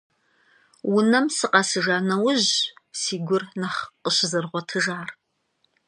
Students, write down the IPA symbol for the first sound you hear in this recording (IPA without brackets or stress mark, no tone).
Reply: w